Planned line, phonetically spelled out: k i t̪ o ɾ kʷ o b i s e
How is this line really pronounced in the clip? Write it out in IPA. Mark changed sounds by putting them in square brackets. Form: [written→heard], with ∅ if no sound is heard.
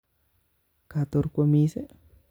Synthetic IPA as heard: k [i→a] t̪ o ɾ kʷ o [b→m] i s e